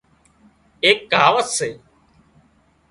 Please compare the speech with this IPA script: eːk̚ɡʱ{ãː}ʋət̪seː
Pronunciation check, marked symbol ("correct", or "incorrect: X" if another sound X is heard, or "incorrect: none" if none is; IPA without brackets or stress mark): incorrect: aː